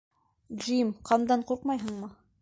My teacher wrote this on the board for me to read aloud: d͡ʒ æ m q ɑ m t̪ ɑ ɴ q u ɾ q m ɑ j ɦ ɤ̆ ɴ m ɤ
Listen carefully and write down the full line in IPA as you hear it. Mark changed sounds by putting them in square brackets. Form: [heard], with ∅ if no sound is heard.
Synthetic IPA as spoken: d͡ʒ [i] m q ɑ m [d̪] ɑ ɴ q u ɾ q m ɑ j ɦ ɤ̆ ɴ m ɤ